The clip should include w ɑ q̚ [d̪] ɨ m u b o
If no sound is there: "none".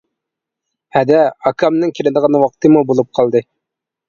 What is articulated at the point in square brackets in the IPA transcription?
t̪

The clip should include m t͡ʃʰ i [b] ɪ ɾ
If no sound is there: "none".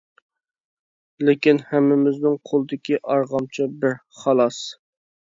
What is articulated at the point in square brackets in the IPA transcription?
b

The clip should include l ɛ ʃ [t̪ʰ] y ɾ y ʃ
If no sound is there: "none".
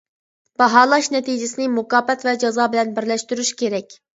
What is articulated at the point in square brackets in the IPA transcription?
t̪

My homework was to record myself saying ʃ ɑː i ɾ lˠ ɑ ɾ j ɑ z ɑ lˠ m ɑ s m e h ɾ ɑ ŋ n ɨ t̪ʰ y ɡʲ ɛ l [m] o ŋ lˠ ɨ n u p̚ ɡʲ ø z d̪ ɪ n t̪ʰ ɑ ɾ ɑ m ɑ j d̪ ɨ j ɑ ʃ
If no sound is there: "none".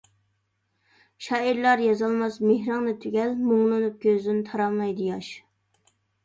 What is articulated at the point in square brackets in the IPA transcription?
m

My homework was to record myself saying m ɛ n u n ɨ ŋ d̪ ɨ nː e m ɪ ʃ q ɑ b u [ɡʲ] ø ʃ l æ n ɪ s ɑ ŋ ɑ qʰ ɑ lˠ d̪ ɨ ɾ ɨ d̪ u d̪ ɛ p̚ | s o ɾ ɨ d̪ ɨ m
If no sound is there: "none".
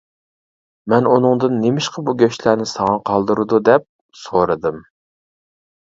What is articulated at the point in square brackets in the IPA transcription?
ɡʲ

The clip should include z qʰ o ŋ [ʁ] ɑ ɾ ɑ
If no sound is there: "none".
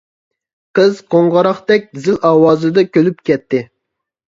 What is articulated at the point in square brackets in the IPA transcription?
ʁ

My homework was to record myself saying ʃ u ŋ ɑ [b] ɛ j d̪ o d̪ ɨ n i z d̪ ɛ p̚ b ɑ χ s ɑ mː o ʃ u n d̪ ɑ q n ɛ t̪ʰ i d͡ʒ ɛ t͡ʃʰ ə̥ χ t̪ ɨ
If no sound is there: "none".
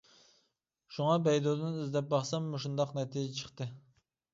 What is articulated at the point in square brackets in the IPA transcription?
b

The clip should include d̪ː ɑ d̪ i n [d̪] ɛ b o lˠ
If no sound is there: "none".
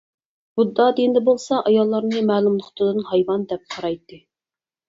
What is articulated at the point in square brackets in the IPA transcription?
d̪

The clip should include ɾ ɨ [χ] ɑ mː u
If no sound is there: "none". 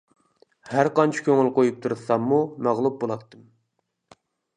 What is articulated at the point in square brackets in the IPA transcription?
s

